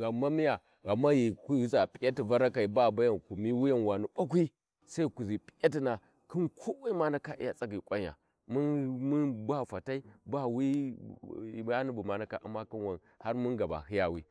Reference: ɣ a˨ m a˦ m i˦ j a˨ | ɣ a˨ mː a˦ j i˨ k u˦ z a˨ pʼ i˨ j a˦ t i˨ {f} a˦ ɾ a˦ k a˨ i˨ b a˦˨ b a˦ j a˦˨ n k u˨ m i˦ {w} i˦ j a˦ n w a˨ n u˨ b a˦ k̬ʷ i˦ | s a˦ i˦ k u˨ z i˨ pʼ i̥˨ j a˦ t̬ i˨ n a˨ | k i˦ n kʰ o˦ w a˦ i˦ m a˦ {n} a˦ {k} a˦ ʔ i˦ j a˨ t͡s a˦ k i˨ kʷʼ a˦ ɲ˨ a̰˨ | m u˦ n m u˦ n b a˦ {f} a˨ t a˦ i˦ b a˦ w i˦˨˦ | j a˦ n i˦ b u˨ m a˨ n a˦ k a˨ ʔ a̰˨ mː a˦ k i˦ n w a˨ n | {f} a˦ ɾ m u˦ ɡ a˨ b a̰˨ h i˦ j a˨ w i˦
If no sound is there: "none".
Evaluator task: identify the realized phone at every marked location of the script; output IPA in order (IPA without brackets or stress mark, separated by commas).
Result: v, w, n, k, f, h